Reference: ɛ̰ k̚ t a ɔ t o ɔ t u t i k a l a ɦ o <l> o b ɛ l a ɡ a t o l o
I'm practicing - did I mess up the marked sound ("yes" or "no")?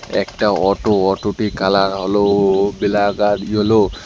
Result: no